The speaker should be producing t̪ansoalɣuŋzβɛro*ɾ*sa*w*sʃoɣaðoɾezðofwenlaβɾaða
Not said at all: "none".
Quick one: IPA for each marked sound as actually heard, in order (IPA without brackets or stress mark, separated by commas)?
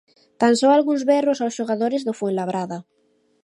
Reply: none, w